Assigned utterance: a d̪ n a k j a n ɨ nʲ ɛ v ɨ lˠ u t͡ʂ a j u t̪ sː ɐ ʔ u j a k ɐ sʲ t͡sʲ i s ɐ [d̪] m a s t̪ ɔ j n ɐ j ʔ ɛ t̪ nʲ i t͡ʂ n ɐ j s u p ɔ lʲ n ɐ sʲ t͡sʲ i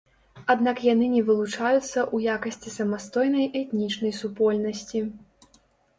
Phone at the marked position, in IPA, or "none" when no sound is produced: none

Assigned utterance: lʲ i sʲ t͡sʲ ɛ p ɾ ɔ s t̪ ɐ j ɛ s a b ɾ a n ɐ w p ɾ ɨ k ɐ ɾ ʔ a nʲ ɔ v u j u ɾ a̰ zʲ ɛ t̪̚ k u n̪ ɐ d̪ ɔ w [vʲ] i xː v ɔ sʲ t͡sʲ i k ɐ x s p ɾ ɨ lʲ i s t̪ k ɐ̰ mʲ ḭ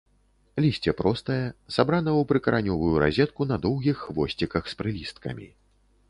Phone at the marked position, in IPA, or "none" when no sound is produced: ɣʲ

